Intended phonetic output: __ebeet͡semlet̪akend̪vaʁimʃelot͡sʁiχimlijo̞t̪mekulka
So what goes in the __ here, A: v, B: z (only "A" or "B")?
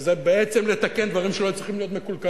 B